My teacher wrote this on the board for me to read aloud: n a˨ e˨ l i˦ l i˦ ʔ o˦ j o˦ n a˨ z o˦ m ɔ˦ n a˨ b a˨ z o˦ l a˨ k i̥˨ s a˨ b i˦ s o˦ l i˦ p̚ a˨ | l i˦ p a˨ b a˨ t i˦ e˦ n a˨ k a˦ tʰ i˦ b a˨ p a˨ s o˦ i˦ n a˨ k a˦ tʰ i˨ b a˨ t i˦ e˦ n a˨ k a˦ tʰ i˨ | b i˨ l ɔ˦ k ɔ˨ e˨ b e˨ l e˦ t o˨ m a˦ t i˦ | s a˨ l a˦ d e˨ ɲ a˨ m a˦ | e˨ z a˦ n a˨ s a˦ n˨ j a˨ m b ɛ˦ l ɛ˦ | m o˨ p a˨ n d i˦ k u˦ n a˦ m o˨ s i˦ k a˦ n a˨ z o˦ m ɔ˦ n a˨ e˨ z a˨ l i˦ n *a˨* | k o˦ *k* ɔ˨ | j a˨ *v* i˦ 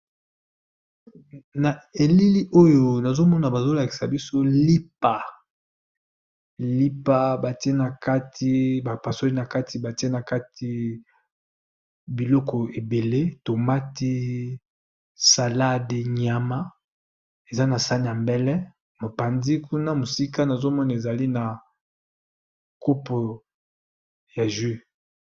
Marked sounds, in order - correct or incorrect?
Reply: correct, incorrect, incorrect

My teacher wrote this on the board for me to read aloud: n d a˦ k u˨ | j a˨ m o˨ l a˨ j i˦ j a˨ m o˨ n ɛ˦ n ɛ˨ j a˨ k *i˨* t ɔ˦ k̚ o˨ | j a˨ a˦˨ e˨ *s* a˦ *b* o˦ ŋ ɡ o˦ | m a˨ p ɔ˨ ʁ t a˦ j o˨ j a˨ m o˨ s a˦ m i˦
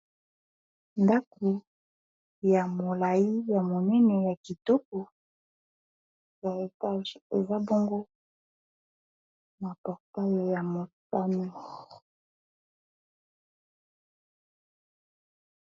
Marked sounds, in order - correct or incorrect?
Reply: correct, incorrect, correct

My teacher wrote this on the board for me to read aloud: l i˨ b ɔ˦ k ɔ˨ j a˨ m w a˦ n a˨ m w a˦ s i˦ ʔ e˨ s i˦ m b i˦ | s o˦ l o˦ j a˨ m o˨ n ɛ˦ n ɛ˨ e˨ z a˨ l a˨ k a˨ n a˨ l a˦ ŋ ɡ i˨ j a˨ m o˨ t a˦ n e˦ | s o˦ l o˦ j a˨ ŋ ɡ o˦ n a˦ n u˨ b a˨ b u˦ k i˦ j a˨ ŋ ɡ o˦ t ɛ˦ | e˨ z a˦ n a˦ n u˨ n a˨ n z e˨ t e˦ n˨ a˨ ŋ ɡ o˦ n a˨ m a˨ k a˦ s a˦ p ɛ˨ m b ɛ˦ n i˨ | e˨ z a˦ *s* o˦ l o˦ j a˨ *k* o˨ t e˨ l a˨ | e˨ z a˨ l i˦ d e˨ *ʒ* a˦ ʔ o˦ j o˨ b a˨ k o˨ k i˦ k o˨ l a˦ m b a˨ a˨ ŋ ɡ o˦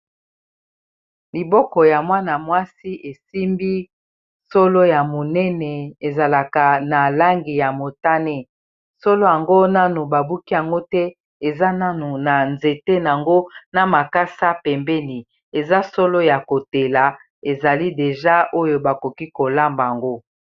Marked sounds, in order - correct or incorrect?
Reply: correct, correct, correct

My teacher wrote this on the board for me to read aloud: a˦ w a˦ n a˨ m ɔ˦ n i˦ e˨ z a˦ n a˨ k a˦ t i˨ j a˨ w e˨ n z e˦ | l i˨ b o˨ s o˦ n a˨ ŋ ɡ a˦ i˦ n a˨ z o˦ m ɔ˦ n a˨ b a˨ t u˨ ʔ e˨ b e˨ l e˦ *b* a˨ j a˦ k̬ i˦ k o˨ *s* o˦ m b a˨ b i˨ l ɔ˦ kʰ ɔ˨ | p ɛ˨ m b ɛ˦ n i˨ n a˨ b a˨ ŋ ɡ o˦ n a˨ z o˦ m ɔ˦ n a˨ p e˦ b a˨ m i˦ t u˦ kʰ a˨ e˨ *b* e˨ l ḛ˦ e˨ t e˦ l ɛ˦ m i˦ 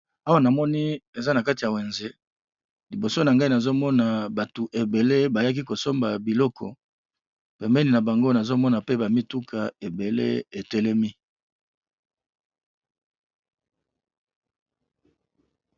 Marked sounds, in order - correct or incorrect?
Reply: correct, correct, correct

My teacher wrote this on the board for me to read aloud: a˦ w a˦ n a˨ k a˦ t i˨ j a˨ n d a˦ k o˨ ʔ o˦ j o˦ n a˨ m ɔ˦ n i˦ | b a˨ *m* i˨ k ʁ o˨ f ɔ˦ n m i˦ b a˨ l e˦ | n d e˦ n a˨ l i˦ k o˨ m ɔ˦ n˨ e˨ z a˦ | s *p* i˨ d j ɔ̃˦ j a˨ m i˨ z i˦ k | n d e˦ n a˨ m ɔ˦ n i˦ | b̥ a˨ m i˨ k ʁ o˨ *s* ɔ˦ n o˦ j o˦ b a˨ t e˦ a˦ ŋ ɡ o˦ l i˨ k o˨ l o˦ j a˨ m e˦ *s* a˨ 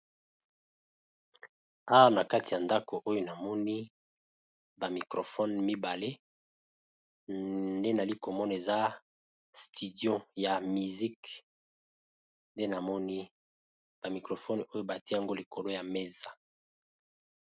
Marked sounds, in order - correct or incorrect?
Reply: correct, incorrect, incorrect, incorrect

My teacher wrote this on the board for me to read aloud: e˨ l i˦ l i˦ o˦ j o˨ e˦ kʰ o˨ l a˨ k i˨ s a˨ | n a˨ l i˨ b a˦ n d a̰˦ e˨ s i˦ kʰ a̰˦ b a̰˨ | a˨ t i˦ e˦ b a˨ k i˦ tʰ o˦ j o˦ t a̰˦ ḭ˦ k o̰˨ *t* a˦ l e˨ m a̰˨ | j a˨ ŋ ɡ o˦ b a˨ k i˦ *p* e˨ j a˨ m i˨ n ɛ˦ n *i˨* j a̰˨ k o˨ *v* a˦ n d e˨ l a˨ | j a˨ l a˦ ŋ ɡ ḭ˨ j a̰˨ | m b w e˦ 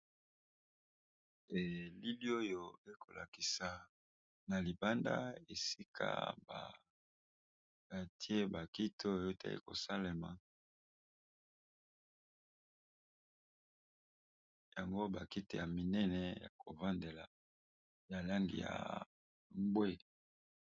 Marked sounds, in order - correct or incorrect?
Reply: incorrect, incorrect, incorrect, correct

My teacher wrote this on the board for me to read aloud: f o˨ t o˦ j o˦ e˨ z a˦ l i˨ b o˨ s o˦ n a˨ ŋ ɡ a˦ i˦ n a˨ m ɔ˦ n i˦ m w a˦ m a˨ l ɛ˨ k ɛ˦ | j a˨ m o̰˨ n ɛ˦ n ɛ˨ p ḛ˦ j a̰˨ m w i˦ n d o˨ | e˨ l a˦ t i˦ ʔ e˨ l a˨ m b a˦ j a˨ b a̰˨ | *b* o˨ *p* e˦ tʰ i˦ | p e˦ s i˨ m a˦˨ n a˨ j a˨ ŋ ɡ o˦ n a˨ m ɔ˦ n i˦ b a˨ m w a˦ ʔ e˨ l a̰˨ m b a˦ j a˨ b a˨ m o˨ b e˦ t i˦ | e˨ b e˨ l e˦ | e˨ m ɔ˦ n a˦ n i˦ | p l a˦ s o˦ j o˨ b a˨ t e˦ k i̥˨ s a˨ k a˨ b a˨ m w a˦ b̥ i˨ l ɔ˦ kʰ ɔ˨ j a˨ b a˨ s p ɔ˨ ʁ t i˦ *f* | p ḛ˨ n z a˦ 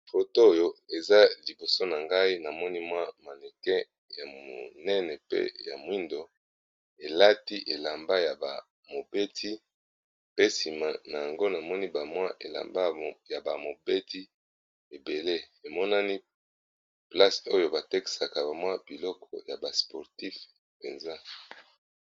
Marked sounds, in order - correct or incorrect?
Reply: incorrect, incorrect, correct

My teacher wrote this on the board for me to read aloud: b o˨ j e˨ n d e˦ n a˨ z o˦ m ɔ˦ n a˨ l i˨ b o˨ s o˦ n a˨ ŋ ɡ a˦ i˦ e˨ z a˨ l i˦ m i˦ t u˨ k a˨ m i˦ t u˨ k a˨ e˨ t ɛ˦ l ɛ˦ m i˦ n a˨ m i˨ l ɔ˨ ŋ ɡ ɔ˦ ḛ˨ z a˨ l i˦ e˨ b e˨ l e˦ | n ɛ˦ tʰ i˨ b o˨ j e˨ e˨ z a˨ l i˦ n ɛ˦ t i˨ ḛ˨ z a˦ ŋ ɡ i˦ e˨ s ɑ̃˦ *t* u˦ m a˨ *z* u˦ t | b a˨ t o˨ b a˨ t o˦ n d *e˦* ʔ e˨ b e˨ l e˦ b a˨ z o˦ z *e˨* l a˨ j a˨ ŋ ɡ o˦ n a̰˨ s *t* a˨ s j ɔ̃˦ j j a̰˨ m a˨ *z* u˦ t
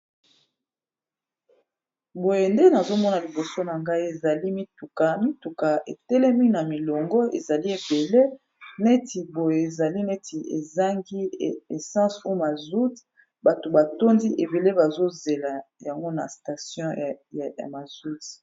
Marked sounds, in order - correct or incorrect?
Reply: incorrect, correct, incorrect, correct, correct, correct

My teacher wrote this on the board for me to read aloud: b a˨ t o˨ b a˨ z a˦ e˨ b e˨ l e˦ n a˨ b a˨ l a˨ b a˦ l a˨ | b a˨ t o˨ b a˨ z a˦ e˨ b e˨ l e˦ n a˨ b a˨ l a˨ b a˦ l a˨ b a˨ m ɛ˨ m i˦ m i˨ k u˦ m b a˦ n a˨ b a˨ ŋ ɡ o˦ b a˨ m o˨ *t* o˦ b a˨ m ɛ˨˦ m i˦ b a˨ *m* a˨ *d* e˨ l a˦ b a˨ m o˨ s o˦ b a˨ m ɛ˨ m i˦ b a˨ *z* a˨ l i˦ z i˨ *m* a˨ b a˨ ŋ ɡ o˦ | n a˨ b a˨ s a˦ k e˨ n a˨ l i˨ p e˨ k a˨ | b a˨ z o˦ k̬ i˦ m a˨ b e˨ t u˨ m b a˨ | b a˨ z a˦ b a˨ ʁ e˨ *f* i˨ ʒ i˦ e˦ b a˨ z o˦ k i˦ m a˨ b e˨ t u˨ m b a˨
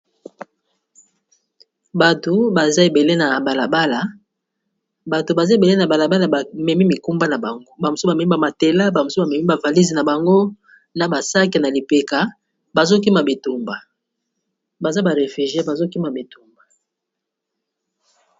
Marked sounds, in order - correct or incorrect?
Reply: incorrect, correct, incorrect, incorrect, incorrect, correct

